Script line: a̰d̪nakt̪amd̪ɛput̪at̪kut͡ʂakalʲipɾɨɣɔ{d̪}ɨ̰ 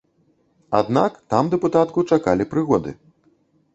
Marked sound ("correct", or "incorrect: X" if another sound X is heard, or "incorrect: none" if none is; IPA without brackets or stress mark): correct